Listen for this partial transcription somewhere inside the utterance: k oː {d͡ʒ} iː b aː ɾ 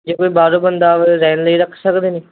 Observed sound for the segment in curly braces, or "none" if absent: none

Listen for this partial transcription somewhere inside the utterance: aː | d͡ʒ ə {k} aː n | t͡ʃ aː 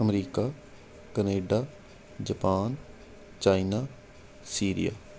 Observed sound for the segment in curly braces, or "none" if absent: p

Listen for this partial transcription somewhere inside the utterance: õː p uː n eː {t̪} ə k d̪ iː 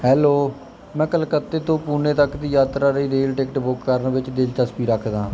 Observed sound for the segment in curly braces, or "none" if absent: t̪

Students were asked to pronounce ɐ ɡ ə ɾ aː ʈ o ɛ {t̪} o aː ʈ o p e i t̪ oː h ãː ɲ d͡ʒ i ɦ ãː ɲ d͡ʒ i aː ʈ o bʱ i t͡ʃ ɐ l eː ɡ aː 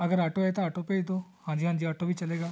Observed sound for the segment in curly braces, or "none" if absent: t̪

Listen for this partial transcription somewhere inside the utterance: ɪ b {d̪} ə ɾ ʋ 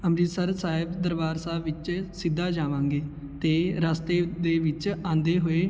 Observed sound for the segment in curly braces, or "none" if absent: d̪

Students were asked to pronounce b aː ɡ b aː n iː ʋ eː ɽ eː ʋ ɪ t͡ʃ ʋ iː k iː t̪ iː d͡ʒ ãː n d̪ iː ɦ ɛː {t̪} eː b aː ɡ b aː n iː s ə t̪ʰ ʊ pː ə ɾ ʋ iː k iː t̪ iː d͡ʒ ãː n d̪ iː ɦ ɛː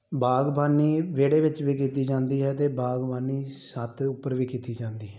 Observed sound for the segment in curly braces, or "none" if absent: t̪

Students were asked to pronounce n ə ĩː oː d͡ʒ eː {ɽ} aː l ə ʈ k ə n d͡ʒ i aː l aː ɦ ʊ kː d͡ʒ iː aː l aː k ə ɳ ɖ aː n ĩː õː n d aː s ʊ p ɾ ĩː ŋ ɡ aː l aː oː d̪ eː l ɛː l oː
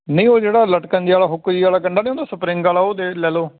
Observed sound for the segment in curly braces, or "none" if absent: ɽ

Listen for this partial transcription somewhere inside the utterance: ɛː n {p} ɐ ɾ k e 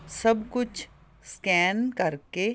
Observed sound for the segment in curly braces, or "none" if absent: k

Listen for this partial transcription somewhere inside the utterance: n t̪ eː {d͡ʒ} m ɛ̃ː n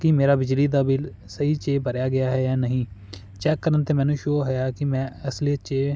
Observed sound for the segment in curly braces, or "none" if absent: none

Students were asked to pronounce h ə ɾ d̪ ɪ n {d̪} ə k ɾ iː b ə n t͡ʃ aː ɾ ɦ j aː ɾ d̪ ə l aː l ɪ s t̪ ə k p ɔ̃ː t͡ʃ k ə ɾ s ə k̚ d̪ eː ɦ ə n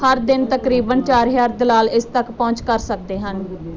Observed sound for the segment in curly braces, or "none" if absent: t̪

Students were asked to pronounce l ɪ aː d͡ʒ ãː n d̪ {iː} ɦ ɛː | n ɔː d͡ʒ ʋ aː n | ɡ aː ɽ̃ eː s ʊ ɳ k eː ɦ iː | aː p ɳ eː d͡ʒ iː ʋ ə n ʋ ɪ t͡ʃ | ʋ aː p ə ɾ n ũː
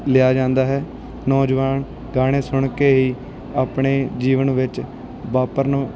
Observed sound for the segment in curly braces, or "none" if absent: aː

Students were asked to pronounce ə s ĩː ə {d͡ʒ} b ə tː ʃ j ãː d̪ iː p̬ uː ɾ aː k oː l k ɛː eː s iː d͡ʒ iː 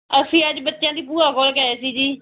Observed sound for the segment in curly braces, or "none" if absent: d͡ʒ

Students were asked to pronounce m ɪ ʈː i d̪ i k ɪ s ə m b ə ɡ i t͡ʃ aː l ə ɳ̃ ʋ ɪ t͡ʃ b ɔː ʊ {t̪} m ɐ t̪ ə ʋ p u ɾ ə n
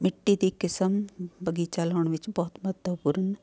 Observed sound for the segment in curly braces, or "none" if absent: t̪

